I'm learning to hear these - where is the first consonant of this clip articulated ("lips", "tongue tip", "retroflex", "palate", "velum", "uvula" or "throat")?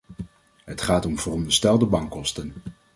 throat